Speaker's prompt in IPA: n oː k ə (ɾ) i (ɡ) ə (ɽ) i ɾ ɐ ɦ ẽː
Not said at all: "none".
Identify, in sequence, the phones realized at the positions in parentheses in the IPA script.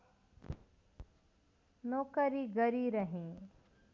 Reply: ɾ, ɡ, ɾ

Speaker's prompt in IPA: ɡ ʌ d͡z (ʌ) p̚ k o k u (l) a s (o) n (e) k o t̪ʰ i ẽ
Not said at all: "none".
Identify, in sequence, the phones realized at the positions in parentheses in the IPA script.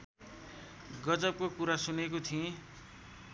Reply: ʌ, ɾ, u, e

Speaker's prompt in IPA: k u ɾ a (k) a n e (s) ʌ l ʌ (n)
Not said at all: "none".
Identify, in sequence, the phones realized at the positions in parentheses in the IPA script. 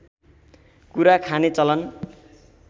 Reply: kʰ, t͡s, n

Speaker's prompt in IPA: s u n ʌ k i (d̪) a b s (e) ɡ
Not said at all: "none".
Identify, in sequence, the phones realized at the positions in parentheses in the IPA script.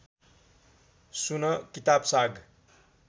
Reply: t̪, a

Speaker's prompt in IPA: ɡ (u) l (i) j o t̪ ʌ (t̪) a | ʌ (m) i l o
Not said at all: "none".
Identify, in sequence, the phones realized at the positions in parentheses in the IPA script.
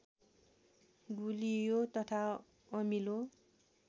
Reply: u, i, t̪ʰ, m

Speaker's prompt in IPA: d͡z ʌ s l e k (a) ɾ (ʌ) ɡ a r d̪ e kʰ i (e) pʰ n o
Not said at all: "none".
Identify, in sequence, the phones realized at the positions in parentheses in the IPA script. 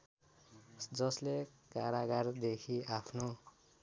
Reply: a, a, a

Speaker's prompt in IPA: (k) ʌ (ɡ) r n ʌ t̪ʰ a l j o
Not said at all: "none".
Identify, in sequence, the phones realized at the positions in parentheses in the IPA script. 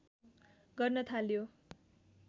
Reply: ɡ, none

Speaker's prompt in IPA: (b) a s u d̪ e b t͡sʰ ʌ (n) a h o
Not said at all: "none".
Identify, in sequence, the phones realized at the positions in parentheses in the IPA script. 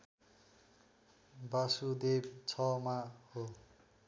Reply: b, m

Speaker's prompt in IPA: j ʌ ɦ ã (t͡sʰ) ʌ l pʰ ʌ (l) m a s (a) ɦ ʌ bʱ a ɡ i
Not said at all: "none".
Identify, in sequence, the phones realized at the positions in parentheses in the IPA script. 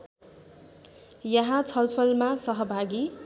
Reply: t͡sʰ, l, ʌ

